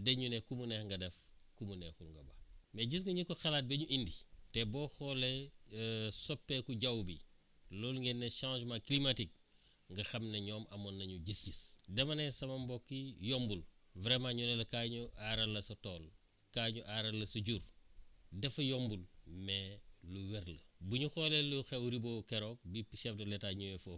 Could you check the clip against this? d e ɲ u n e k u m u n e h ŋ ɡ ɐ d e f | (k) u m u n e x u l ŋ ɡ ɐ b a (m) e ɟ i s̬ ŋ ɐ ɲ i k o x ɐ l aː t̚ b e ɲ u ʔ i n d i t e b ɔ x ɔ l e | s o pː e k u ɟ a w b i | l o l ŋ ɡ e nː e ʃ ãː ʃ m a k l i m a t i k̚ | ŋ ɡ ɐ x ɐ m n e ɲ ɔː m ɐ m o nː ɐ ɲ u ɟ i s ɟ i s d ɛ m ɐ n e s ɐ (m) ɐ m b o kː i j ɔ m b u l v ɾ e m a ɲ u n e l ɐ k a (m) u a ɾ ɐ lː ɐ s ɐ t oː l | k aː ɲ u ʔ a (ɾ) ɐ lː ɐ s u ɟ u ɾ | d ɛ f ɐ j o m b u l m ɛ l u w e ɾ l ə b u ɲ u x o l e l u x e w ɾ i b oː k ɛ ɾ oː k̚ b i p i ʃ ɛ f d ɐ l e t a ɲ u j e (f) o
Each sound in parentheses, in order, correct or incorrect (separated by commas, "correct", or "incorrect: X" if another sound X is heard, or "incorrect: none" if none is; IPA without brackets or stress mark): correct, correct, correct, incorrect: ɲ, correct, correct